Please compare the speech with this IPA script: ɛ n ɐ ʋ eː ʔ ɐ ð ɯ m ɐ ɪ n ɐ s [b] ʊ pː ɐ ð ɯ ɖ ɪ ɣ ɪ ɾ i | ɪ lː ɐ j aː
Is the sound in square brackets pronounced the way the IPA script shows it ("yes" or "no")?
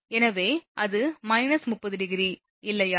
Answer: no